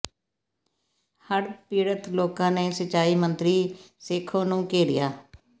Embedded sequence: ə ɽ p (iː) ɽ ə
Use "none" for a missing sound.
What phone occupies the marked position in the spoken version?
iː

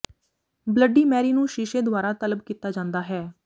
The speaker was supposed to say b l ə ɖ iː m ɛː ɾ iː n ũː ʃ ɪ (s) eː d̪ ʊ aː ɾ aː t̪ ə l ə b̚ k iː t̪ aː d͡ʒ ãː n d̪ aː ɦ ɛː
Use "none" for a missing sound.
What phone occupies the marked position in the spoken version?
ʃ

